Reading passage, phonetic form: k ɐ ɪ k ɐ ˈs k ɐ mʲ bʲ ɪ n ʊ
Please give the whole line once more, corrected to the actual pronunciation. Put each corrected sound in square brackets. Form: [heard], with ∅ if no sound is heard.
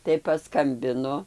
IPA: [t] ɐ ɪ [p] ɐ ˈs k ɐ mʲ bʲ ɪ n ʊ